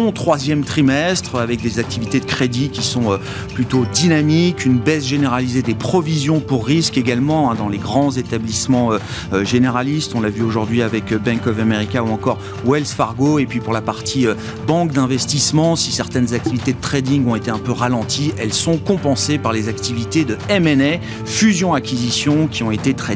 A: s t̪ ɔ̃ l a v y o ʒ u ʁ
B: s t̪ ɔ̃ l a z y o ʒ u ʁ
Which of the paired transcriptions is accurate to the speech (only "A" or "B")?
A